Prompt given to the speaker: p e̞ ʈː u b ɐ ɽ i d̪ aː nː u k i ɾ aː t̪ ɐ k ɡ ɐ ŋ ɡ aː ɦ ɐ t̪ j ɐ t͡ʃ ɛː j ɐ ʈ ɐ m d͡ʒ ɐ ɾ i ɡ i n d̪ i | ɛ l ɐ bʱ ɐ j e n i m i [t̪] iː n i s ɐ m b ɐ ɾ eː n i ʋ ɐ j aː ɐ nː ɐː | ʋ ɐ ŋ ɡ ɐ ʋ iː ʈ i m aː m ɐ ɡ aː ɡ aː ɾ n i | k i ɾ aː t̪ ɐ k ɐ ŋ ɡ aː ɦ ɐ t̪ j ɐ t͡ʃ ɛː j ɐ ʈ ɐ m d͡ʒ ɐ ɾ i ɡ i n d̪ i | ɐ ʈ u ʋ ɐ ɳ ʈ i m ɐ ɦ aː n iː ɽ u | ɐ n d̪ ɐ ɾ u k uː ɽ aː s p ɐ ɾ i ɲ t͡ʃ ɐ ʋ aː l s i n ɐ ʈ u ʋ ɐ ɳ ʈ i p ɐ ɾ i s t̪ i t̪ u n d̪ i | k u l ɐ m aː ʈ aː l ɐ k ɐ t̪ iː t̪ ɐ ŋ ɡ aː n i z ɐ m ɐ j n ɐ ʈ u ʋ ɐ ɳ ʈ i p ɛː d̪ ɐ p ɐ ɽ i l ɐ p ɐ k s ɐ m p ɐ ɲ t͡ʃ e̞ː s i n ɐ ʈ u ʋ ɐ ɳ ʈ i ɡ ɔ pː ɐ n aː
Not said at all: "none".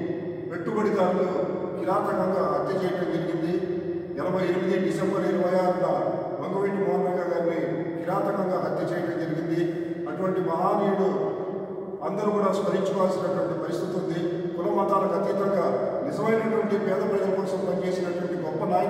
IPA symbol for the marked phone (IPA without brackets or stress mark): d̪